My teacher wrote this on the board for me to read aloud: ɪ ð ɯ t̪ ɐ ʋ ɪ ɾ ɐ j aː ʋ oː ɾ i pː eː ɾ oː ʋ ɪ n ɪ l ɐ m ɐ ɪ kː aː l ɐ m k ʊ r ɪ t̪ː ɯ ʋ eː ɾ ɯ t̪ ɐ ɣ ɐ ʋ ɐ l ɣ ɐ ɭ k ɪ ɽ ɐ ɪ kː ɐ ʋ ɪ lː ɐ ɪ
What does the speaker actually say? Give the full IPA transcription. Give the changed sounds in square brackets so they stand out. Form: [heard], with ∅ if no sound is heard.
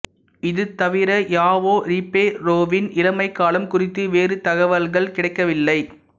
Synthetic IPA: ɪ ð ɯ t̪ ɐ ʋ ɪ ɾ ɐ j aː ʋ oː ɾ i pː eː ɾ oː ʋ ɪ n ɪ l ɐ m ɐ ɪ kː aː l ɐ m k ʊ r ɪ t̪ː ɯ ʋ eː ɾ ɯ t̪ ɐ ɣ ɐ ʋ ɐ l ɣ ɐ ɭ k ɪ ɽ ɐ ɪ kː ɐ ʋ ɪ lː ɐ ɪ